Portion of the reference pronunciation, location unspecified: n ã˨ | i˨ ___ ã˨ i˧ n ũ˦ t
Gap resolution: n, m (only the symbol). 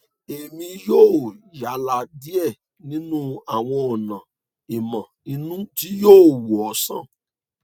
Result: m